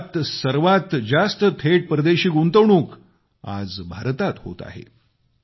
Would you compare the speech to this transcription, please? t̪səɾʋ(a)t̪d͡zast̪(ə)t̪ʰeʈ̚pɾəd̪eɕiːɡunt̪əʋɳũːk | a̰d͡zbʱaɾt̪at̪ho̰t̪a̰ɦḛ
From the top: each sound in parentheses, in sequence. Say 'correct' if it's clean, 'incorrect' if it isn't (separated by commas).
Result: correct, correct